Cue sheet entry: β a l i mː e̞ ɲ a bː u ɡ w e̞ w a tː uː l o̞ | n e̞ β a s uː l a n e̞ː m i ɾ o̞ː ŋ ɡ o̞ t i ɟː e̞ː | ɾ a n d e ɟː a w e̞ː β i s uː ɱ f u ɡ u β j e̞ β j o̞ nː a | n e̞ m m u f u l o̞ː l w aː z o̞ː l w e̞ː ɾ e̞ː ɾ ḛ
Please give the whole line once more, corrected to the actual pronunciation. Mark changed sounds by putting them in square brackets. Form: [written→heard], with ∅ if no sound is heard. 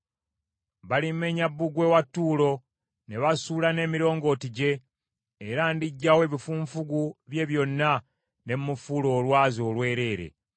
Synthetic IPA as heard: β a l i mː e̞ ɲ a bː u ɡ w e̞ w a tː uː l o̞ | n e̞ β a s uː l a n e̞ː m i ɾ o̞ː ŋ ɡ o̞ t i [ɟː→ɟ] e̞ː | ɾ a n d [e→i] ɟː a w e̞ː β i [s→f] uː ɱ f u ɡ u β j e̞ β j o̞ nː a | n e̞ m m u f u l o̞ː l w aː z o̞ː l w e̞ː ɾ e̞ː ɾ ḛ